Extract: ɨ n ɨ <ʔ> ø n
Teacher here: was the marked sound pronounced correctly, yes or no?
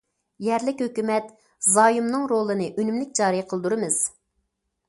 yes